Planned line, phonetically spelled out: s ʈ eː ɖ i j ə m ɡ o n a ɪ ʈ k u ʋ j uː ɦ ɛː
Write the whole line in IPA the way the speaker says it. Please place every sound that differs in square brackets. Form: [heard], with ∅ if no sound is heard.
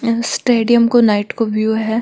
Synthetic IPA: s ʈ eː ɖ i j ə m [k] o n a ɪ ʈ k [o] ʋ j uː ɦ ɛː